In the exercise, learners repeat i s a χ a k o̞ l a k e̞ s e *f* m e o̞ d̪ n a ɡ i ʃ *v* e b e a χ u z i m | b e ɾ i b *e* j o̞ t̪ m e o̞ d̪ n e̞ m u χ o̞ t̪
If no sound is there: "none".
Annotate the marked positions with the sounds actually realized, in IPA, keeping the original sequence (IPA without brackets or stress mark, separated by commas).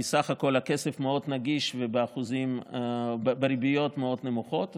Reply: f, v, i